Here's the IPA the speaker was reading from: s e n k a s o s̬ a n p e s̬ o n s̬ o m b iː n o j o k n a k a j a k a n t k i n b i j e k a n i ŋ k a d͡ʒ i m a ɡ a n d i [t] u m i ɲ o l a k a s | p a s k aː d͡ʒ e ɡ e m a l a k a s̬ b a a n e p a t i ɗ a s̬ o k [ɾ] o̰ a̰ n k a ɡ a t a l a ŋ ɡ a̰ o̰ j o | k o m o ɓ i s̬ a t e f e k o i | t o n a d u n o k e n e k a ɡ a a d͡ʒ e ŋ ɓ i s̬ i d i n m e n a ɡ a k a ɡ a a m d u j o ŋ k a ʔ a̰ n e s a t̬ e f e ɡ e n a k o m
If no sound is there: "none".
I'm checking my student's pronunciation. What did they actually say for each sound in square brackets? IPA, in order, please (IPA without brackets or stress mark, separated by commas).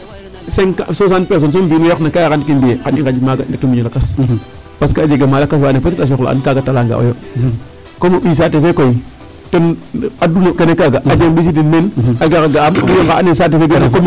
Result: t, l